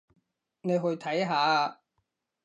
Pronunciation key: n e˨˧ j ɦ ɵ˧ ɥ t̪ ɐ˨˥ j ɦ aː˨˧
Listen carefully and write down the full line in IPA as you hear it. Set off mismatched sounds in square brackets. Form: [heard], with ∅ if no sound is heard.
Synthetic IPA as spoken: n e˨˧ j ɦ ɵ˧ ɥ [t̪ʰ] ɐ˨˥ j ɦ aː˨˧